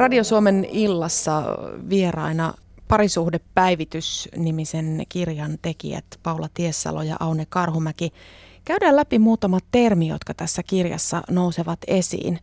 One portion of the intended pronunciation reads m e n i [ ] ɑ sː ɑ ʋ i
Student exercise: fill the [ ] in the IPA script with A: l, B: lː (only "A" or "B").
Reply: B